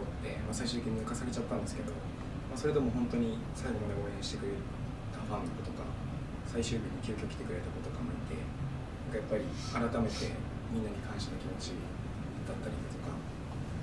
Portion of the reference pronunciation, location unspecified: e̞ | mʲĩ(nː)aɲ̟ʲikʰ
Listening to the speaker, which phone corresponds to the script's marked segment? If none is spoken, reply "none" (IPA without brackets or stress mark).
nː